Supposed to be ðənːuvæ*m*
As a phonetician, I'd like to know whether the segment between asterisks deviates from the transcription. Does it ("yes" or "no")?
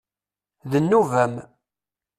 no